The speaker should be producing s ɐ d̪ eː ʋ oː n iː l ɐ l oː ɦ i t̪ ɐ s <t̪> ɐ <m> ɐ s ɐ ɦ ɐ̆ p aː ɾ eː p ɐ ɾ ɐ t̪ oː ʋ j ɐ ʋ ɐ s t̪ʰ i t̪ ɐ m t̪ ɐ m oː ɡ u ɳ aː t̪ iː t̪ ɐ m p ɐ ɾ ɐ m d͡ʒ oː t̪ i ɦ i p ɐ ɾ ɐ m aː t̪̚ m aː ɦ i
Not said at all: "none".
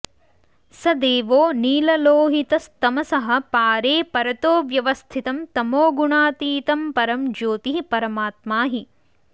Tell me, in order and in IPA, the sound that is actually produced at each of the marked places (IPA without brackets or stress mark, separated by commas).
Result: t̪, m